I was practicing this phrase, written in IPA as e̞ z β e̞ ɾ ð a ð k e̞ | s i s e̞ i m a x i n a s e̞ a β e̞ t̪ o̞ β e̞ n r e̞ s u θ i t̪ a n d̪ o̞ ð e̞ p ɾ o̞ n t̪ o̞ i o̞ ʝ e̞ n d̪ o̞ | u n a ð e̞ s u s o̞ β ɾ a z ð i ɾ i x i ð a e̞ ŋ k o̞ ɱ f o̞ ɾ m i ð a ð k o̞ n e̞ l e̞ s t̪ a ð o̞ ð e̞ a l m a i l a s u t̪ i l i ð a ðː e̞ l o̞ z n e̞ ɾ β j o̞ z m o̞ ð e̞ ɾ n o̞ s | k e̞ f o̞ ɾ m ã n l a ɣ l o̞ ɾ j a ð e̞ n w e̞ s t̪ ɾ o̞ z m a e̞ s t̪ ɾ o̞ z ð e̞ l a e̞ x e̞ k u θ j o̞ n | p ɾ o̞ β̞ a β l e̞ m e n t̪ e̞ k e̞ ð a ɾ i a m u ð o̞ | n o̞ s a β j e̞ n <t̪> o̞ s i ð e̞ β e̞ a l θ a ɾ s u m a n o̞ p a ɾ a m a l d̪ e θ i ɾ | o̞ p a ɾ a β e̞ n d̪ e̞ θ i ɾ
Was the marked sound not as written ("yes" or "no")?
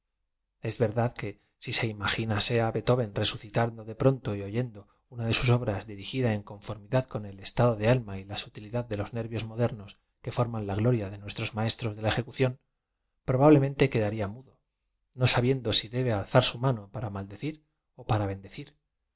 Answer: yes